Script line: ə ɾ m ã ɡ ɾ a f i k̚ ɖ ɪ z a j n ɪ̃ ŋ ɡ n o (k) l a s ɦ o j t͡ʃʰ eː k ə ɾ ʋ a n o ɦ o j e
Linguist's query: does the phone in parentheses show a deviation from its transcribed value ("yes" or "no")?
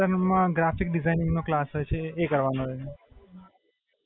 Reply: no